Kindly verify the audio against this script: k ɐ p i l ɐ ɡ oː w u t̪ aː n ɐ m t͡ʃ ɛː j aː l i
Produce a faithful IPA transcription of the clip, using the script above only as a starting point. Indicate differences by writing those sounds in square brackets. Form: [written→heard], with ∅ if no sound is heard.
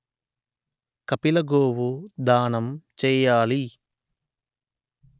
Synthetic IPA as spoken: k ɐ p i l ɐ ɡ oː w u [t̪→d̪] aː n ɐ m t͡ʃ ɛː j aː l i